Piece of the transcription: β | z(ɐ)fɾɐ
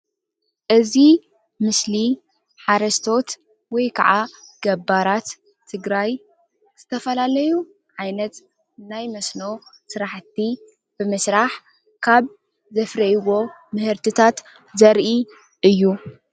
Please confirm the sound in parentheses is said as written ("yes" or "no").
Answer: yes